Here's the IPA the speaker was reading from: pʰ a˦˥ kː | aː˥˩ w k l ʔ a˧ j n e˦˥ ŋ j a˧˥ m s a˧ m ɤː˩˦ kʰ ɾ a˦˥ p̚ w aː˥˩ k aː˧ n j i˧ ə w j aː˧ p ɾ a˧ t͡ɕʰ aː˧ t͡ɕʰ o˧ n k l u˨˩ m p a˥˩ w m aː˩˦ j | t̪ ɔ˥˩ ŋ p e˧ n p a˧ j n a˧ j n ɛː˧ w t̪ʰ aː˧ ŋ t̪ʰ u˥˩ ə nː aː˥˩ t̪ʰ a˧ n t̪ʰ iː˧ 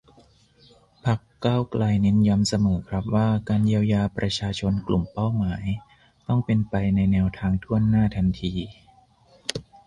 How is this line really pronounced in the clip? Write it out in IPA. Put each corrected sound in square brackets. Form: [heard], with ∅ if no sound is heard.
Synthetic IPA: pʰ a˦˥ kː | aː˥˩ w k l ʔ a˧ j n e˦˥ [n] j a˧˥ m s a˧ m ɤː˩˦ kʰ ɾ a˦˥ p̚ w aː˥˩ k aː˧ n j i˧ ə w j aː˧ p ɾ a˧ t͡ɕʰ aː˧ t͡ɕʰ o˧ n k l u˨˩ m p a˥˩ w m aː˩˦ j | t̪ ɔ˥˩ ŋ p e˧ n p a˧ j n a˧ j n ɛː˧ w t̪ʰ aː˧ ŋ t̪ʰ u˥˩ ə nː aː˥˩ t̪ʰ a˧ n t̪ʰ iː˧